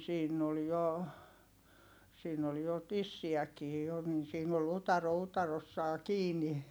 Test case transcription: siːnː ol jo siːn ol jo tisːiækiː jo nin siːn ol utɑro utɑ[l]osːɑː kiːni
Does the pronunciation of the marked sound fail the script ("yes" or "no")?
yes